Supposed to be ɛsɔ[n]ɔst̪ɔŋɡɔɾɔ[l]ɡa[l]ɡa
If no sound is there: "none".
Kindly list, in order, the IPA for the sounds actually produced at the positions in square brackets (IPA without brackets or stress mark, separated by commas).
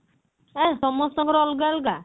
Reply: m, l, l